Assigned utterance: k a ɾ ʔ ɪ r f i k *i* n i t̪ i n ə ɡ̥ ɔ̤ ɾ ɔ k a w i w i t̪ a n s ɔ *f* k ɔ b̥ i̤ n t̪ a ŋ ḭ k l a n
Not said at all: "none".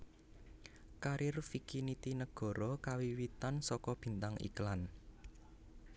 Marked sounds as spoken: i, none

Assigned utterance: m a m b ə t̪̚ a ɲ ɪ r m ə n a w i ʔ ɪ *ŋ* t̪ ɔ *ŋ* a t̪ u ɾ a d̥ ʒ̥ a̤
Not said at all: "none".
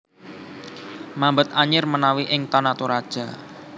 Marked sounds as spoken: ŋ, n

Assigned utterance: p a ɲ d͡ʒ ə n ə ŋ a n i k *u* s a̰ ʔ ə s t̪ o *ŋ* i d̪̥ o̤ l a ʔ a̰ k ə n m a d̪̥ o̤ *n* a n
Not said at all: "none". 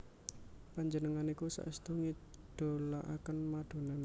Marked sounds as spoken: u, ŋ, n

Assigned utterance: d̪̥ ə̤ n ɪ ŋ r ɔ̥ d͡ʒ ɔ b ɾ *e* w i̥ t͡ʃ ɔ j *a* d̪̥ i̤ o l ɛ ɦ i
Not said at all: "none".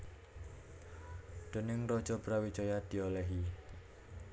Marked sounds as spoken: a, a

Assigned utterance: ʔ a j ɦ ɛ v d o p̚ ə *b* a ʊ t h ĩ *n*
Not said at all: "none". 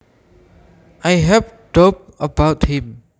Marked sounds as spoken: b, m

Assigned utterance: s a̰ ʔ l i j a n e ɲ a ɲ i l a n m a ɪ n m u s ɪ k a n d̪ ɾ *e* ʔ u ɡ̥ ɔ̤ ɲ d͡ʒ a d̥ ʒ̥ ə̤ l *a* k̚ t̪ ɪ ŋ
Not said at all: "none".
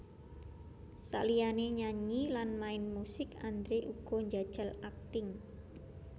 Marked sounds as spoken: e, a

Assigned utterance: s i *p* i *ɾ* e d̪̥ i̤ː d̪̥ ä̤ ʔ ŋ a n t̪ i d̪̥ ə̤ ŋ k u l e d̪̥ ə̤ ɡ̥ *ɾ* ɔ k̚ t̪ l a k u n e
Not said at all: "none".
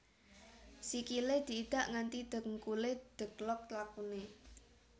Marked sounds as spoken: k, l, l

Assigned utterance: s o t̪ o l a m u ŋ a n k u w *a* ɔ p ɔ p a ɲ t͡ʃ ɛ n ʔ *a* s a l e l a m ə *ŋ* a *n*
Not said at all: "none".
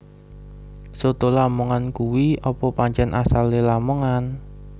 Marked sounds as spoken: i, a, ŋ, n

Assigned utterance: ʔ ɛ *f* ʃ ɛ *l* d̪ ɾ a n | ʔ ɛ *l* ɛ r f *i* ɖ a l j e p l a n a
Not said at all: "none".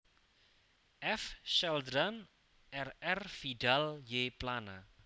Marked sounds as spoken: f, l, r, i

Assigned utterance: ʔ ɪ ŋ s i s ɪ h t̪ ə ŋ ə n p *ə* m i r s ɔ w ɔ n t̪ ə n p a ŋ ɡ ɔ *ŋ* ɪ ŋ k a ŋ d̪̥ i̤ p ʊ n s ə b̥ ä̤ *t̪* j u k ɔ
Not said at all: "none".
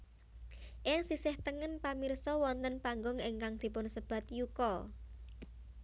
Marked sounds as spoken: a, ŋ, t̪

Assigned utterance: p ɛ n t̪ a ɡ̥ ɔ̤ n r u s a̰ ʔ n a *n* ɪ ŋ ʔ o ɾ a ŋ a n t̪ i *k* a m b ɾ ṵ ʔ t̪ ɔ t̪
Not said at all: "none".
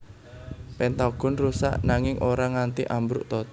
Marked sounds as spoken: ŋ, ʔ

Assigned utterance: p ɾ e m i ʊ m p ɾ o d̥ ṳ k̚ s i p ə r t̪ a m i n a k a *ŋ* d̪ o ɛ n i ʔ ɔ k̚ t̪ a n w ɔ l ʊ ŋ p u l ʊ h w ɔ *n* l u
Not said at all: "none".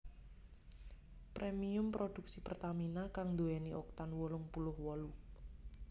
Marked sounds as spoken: ŋ, none

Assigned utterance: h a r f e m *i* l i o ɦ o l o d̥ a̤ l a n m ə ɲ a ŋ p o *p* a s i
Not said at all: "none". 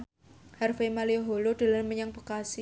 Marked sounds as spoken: a, k

